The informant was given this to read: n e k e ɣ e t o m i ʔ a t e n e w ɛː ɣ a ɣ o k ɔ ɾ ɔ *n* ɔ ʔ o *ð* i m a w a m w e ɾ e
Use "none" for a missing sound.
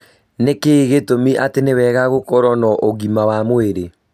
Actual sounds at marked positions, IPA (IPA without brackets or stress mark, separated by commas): n, ɣ